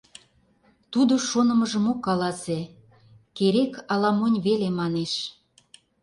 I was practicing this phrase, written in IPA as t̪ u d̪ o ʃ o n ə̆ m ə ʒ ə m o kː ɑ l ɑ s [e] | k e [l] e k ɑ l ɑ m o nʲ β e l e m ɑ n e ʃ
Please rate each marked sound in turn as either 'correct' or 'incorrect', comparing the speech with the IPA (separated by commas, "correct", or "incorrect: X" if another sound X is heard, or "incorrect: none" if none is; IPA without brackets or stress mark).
correct, incorrect: ɾ